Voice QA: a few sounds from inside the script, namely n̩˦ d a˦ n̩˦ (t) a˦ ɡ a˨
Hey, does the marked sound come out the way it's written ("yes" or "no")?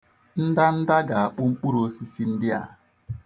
no